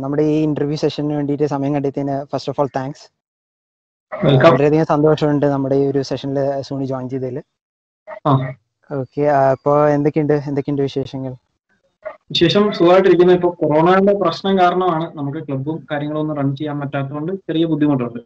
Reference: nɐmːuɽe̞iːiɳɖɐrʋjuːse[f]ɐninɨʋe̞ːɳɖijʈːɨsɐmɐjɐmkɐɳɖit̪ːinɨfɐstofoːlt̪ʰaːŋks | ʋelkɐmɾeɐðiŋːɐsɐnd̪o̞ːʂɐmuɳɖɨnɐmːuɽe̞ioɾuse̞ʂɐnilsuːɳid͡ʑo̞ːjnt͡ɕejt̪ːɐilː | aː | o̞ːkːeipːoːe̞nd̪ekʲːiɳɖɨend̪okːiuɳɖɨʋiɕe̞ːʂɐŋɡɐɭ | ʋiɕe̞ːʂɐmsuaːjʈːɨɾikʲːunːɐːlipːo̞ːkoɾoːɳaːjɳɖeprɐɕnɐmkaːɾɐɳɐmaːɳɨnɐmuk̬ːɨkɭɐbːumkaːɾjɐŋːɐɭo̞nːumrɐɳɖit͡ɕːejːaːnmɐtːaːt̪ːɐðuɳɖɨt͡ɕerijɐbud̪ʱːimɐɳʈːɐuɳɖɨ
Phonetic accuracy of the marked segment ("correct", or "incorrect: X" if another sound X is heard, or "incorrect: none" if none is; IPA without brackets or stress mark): incorrect: ʂ